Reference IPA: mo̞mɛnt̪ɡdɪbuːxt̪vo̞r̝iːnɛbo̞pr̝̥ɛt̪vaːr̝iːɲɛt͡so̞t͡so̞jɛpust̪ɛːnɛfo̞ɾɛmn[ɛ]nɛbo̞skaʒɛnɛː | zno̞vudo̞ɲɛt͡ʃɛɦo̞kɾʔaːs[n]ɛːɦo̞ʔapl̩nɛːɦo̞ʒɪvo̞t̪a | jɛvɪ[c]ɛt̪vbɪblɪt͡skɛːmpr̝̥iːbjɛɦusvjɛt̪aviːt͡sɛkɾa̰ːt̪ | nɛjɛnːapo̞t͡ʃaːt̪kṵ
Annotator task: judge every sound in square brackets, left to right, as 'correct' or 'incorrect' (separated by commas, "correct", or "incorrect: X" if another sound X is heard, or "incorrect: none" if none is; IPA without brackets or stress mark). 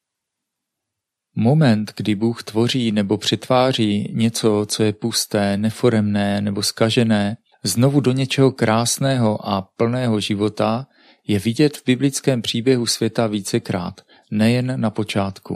incorrect: ɛː, correct, incorrect: ɟ